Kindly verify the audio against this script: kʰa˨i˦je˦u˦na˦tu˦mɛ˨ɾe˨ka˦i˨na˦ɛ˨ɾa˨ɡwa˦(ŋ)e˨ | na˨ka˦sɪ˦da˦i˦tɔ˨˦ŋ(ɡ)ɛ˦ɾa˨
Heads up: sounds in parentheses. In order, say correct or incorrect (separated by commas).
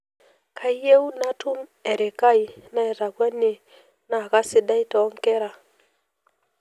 incorrect, incorrect